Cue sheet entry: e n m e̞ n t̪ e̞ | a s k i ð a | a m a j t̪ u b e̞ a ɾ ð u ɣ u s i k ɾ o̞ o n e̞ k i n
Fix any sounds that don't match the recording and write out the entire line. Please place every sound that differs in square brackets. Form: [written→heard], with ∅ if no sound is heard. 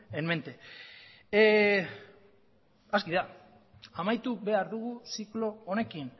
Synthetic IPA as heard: e n m e̞ n t̪ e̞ | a s k i ð a | a m a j t̪ u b e̞ a ɾ ð u ɣ u s i k [ɾ→l] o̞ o n e̞ k i n